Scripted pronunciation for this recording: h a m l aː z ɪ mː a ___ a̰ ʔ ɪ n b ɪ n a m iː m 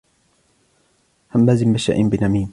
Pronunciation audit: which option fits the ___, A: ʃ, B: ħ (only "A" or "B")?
A